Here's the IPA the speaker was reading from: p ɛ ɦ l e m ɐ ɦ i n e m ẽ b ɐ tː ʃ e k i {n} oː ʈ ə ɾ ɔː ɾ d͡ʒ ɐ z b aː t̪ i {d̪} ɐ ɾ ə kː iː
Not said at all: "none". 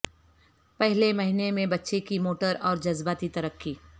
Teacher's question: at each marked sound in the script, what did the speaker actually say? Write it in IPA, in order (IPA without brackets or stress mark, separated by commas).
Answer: m, t̪